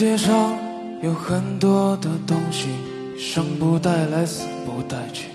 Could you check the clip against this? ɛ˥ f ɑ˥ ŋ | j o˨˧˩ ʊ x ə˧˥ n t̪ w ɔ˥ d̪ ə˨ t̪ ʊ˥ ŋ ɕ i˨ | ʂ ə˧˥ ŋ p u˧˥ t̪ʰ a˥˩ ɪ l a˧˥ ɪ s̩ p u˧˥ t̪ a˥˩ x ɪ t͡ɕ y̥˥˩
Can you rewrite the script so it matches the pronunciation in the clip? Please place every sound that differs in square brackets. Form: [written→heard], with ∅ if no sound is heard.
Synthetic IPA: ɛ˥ [f→ʂ] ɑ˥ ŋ | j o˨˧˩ ʊ x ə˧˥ n t̪ w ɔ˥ d̪ ə˨ t̪ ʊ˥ ŋ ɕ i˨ | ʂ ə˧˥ ŋ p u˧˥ [t̪ʰ→t̪] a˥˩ ɪ l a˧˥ ɪ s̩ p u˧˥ t̪ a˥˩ [x→∅] ɪ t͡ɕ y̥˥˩